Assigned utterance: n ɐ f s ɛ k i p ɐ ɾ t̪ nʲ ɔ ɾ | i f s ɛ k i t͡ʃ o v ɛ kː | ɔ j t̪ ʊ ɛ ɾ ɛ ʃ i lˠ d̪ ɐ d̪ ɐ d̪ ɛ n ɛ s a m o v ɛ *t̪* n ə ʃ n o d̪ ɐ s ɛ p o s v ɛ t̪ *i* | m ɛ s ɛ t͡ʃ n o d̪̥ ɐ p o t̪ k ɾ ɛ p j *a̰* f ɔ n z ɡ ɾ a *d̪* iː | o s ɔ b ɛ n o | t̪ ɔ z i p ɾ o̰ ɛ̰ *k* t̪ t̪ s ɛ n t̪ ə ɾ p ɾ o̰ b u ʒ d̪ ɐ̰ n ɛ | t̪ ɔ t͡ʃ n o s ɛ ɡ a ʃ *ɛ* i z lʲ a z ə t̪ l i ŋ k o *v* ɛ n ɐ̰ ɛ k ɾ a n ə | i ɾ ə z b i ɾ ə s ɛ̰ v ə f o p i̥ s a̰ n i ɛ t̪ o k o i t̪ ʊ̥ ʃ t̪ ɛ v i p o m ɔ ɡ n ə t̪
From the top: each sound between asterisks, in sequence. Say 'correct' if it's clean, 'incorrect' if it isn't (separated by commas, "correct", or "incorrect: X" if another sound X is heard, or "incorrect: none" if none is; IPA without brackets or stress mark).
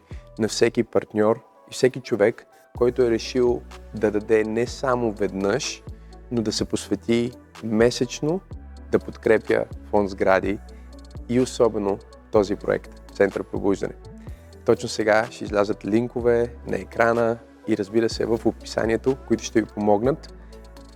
incorrect: d̪, correct, incorrect: ə̰, correct, correct, correct, correct